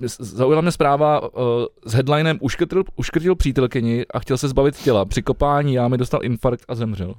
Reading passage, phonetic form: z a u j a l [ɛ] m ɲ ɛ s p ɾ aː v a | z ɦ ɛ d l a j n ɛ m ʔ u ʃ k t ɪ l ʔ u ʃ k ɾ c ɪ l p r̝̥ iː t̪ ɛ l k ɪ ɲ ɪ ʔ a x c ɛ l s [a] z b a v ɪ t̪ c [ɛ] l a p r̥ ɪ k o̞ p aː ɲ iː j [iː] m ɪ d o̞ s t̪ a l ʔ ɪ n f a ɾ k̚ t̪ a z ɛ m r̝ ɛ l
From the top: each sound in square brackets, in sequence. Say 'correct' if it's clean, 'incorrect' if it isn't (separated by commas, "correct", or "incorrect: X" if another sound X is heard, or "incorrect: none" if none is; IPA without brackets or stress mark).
incorrect: a, incorrect: ɛ, correct, incorrect: aː